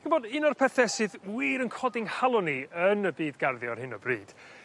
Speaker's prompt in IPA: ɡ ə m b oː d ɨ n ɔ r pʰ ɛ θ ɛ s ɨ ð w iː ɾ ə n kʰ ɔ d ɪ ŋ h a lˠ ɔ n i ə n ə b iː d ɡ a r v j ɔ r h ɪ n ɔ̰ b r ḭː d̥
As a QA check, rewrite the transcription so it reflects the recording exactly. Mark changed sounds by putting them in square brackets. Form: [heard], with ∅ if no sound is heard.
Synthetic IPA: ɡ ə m b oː d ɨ n ɔ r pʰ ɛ θ ɛ s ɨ ð w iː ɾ ə n kʰ ɔ d ɪ ŋ h a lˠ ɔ n i ə n ə b iː d ɡ a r [ð] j ɔ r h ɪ n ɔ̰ b r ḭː d̥